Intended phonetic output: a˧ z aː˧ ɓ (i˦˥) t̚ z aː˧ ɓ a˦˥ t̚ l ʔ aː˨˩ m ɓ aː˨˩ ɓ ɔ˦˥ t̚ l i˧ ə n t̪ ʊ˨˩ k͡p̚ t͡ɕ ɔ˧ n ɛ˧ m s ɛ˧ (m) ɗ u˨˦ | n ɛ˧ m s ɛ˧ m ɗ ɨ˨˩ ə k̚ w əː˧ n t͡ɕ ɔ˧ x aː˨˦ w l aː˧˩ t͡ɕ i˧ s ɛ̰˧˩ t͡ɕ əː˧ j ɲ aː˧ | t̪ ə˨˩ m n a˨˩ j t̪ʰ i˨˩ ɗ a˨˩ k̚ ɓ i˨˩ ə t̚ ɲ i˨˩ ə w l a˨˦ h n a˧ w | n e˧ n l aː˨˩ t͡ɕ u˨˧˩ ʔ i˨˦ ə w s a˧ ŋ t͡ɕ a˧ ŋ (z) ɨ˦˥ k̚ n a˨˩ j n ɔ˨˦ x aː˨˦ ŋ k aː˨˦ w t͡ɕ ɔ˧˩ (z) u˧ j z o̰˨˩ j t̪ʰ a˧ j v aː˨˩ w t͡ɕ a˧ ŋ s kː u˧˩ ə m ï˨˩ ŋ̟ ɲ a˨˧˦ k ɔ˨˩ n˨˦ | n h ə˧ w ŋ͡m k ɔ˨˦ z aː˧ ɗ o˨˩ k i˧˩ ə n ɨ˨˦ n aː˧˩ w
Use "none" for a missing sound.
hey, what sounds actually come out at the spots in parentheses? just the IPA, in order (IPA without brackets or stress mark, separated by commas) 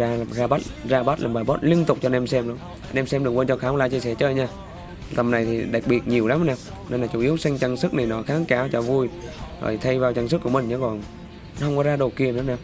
a˦˥, m, s, v